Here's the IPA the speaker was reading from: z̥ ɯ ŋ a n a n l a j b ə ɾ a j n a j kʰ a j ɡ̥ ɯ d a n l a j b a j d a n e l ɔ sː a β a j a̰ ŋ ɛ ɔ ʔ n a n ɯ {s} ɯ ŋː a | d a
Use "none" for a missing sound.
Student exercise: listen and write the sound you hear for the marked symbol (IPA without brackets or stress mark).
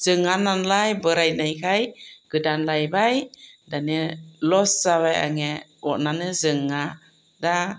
z